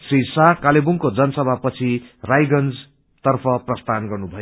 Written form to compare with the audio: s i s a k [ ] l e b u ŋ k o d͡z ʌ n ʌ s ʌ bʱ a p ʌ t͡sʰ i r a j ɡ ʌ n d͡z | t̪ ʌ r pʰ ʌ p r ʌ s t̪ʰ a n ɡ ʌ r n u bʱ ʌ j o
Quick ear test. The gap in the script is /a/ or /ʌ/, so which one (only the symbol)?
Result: a